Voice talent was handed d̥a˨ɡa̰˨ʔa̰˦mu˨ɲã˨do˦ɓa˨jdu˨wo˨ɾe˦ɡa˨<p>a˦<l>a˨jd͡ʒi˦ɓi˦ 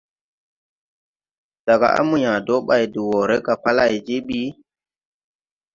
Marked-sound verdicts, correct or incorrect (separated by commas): correct, correct